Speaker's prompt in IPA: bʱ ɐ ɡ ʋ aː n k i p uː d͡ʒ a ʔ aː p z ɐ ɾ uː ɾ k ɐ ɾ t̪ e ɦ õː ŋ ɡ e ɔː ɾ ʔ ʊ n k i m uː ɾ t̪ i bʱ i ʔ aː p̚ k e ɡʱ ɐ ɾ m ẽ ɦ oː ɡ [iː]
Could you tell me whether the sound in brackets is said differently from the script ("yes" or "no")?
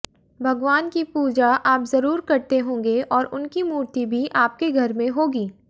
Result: no